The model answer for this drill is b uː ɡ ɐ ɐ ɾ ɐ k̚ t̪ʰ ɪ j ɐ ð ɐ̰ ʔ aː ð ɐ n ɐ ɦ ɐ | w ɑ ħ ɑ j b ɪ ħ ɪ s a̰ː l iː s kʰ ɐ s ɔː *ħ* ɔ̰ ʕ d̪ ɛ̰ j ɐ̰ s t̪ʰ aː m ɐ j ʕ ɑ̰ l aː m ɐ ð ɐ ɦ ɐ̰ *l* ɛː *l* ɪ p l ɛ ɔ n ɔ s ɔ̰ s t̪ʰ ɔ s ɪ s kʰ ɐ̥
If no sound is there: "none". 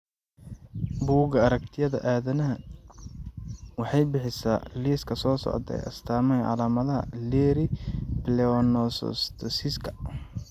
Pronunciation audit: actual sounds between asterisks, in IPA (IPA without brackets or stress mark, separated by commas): s, l, ɾ